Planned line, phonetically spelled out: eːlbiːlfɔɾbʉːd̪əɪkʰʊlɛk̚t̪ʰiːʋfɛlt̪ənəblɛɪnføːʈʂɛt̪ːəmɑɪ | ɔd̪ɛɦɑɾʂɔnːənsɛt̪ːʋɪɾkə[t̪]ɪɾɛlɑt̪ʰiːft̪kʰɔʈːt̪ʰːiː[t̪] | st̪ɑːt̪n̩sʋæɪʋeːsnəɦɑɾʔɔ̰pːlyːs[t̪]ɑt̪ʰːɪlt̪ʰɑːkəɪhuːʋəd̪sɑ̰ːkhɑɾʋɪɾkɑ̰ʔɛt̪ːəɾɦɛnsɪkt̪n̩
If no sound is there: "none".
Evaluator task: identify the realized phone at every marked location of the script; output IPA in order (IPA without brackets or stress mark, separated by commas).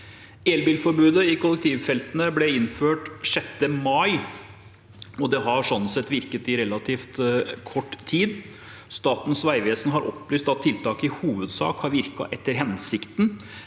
t̪, d̪, t̪